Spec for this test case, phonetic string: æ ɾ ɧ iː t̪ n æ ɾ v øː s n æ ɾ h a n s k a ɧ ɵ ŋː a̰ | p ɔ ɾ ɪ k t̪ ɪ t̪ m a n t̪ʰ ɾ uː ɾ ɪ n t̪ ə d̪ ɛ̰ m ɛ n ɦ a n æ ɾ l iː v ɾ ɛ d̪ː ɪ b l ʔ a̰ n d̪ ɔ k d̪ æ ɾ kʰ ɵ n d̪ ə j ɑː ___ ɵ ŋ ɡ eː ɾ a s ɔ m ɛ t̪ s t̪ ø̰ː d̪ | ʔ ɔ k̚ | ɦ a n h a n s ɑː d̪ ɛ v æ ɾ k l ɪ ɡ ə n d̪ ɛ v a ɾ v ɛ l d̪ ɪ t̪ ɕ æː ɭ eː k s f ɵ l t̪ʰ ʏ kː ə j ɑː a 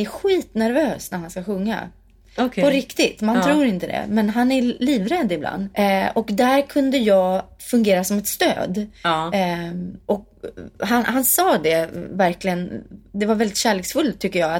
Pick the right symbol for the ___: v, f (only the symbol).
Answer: f